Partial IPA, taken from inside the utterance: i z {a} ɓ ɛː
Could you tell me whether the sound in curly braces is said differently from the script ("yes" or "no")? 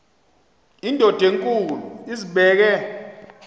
yes